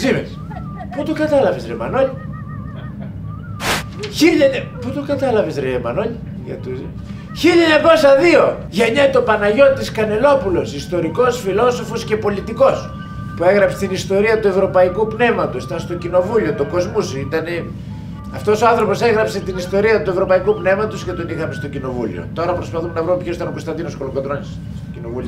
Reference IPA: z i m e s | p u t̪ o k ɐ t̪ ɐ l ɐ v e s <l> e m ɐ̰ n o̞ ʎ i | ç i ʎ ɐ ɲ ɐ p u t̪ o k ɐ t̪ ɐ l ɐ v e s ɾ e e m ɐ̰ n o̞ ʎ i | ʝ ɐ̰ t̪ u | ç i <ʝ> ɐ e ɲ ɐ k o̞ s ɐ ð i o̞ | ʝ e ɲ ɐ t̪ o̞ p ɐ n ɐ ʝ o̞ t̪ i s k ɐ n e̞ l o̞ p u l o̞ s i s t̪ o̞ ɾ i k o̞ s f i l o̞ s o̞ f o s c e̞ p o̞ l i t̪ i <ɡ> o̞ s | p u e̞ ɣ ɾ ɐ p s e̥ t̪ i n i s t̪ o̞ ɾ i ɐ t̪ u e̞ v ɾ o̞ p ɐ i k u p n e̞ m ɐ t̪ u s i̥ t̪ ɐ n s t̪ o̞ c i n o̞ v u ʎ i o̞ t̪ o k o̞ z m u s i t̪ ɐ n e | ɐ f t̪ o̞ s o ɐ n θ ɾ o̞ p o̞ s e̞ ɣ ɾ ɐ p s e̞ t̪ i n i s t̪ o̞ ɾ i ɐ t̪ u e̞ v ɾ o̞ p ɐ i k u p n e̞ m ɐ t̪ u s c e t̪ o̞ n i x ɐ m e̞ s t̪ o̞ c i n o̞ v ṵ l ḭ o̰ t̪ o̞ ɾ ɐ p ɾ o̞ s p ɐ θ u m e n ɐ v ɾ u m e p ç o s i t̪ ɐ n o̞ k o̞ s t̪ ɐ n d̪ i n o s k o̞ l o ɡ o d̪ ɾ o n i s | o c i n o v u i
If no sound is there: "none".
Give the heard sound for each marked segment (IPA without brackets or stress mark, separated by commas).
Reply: ɾ, ʎ, k